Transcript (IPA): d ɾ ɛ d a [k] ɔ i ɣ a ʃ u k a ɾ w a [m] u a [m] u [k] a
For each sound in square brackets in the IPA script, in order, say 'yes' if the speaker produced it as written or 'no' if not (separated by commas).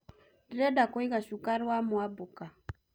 yes, yes, no, yes